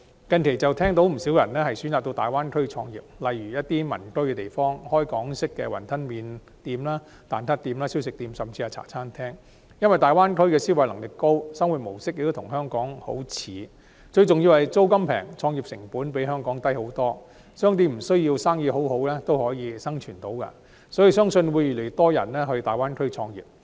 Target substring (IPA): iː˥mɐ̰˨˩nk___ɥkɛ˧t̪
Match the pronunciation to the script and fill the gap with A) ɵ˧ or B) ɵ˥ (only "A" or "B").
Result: B